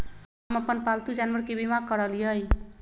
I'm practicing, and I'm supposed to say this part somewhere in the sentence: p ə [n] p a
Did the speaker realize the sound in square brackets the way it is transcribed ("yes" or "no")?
yes